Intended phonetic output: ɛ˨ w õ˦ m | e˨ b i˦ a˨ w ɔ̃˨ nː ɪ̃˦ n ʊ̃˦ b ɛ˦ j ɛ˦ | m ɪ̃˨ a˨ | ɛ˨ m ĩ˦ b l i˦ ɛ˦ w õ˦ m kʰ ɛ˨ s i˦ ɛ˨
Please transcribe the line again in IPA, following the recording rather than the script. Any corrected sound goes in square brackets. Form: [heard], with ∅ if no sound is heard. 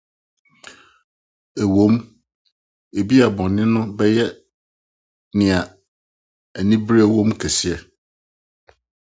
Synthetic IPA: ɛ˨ w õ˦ m | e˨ b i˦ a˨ [b] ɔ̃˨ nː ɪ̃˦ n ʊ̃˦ b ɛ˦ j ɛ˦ | [n] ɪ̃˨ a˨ | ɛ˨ [n] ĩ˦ b [ɾ] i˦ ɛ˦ w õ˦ m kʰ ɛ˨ s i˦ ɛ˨